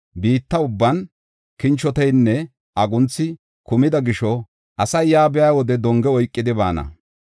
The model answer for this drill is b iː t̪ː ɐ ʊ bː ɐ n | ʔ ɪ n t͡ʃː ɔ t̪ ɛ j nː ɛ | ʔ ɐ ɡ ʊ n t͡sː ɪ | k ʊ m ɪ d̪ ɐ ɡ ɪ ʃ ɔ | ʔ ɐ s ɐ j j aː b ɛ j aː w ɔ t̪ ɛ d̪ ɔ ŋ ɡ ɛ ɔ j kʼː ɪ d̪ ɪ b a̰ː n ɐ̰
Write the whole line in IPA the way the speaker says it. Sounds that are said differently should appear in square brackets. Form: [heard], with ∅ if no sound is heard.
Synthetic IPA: b iː t̪ː ɐ ʊ bː ɐ n | [k] ɪ n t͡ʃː ɔ t̪ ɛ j nː ɛ | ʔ ɐ ɡ ʊ n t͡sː ɪ | k ʊ m ɪ d̪ ɐ ɡ ɪ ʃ ɔ | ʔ ɐ s ɐ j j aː b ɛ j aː w ɔ [d̪] ɛ d̪ ɔ ŋ ɡ ɛ ɔ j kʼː ɪ d̪ ɪ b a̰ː n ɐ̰